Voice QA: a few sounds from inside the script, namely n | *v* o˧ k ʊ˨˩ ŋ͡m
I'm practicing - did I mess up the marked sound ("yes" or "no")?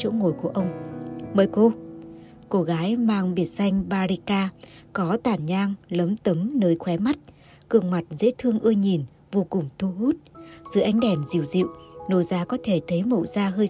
no